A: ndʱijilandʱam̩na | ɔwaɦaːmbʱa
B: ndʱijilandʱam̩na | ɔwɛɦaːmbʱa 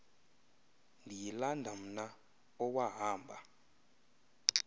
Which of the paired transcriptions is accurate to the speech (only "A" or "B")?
A